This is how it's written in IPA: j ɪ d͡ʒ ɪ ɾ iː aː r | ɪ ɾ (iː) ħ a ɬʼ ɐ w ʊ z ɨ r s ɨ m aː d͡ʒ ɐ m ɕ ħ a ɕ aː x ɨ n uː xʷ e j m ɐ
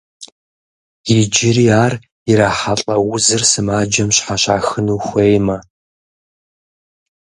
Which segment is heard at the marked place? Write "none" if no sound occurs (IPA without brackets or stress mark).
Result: aː